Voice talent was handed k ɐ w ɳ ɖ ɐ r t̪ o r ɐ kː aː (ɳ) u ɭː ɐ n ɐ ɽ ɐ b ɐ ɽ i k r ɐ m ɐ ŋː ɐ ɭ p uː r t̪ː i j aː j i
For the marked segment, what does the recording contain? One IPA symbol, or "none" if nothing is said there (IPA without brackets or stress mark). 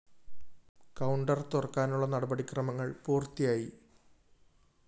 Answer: n